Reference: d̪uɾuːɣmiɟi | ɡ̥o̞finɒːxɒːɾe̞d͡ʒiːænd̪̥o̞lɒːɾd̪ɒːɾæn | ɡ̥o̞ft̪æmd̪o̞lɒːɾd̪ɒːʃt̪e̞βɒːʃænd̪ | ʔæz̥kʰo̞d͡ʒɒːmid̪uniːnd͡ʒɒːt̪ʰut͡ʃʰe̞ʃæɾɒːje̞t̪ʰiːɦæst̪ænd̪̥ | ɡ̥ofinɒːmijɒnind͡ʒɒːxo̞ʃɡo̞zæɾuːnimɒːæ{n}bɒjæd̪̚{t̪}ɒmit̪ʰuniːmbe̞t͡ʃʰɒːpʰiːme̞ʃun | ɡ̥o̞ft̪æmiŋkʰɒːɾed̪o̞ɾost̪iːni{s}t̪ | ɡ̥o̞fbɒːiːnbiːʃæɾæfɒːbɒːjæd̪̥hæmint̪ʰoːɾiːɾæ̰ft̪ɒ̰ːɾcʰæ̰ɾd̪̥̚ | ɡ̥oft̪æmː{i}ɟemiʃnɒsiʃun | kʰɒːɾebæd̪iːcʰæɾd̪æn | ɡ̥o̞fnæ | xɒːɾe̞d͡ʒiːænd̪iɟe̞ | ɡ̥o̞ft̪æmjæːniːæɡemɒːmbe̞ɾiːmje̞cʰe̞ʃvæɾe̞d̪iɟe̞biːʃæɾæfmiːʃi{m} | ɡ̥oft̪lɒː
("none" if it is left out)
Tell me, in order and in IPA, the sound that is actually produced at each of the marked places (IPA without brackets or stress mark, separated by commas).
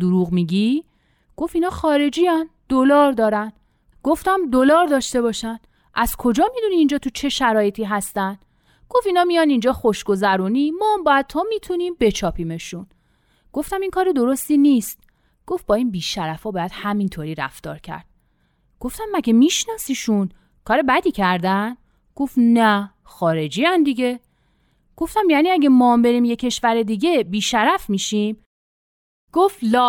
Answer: m, t̪ʰ, s, æ, m